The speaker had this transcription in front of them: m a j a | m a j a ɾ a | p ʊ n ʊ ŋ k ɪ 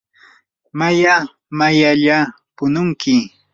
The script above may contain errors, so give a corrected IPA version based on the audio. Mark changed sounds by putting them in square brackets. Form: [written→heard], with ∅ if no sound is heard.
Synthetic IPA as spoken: m a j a | m a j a [ɾ→ʎ] a | p ʊ n ʊ ŋ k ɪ